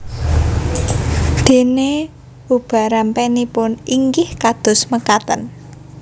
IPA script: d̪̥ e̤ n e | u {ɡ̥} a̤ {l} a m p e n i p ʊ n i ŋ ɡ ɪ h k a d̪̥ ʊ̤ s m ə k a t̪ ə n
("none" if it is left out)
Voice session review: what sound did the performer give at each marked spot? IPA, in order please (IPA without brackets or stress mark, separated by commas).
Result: b̥, ɾ